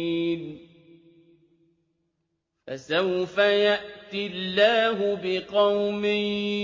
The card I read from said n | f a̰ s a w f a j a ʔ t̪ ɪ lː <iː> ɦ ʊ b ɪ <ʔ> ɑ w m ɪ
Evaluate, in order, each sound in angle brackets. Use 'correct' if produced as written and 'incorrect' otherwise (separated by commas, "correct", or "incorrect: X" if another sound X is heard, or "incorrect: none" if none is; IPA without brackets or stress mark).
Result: incorrect: aː, incorrect: q